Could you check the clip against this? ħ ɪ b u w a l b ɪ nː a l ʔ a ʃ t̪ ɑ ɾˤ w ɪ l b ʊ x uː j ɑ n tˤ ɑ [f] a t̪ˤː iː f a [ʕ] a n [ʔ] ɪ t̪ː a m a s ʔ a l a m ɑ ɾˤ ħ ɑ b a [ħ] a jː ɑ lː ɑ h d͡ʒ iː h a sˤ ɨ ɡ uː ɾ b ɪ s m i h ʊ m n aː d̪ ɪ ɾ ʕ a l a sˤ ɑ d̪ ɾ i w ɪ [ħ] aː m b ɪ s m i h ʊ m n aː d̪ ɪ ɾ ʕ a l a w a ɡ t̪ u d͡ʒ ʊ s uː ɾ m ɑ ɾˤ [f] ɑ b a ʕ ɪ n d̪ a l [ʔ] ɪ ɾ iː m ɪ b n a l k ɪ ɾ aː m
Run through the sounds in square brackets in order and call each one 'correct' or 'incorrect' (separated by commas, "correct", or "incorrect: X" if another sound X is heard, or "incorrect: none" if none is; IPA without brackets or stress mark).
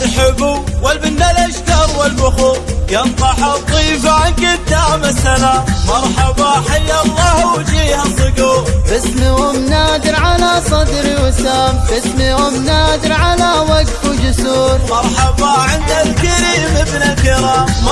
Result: incorrect: ħ, correct, incorrect: k, correct, incorrect: s, incorrect: ħ, incorrect: k